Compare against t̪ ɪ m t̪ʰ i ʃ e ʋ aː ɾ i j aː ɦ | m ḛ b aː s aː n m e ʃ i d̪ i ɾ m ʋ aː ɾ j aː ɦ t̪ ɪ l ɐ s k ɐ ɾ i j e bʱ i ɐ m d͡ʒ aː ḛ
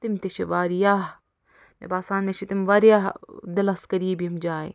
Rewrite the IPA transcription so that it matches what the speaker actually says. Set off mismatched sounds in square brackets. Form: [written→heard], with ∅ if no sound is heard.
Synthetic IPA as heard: t̪ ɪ m [t̪ʰ→t̪] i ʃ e ʋ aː ɾ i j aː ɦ | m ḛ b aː s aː n m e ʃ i [d̪→t̪] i [ɾ→∅] m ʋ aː ɾ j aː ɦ [t̪→d̪] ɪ l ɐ s k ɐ ɾ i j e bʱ i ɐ m d͡ʒ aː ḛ